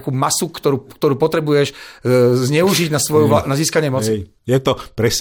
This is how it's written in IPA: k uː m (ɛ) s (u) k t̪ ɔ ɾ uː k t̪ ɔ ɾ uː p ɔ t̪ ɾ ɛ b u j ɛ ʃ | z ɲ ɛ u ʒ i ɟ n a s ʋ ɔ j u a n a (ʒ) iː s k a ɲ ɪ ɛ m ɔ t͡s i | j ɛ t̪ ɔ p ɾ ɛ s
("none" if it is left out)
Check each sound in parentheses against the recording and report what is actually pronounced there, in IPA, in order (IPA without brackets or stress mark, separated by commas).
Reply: a, u, z